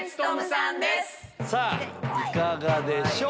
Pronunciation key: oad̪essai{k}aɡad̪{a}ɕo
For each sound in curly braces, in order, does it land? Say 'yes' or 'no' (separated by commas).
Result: yes, no